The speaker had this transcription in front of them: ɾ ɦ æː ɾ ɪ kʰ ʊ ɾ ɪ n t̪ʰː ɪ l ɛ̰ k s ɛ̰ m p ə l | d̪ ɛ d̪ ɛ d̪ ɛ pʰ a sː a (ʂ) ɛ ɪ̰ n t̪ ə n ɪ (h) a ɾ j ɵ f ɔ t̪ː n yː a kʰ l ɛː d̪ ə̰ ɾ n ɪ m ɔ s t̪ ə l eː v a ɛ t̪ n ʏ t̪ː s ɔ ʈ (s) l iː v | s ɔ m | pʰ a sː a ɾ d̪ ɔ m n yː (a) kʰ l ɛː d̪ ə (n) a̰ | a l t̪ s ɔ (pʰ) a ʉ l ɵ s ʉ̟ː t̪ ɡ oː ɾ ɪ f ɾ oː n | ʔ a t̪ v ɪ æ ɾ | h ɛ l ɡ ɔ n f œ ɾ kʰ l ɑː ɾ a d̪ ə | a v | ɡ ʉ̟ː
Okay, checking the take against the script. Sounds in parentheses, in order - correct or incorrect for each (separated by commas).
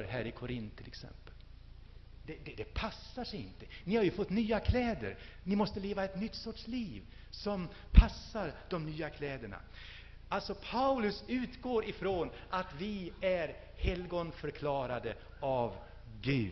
correct, correct, incorrect, correct, incorrect, correct